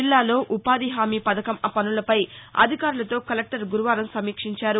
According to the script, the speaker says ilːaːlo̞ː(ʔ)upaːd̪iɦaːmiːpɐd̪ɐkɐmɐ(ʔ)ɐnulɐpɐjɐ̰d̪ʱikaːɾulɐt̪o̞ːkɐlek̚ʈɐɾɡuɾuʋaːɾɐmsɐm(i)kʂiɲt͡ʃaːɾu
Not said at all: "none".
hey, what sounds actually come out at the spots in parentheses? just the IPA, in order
ʔ, p, iː

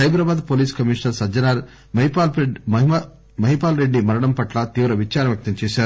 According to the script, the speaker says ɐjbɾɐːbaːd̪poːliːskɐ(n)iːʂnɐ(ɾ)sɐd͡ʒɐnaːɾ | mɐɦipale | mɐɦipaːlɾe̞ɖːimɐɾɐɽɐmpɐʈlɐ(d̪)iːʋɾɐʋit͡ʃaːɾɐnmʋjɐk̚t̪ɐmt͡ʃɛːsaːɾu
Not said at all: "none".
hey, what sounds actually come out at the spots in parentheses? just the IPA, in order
m, ɾ, t̪

